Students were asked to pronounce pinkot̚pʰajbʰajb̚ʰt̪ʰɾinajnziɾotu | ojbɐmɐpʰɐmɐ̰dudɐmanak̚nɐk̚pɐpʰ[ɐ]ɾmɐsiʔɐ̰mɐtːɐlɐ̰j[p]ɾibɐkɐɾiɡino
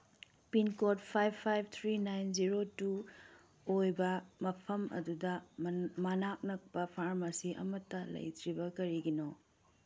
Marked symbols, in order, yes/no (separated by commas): no, no